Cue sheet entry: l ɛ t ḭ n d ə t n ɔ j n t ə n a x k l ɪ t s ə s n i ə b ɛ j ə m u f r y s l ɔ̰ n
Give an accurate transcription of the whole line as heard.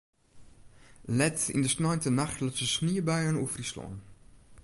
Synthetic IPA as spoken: l ɛ t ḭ n d ə s n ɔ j n t ə n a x t l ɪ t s ə s n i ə b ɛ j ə n u f r i s l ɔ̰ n